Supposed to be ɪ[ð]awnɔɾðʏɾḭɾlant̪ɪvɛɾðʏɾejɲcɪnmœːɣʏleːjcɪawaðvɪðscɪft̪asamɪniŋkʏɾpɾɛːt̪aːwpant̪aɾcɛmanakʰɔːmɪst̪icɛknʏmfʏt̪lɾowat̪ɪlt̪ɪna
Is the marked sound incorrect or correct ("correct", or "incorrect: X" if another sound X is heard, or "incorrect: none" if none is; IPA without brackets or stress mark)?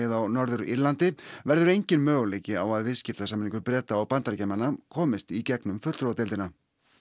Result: correct